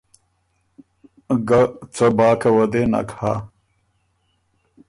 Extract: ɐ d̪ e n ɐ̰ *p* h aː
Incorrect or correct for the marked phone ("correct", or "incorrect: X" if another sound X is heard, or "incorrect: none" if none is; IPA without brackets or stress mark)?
incorrect: k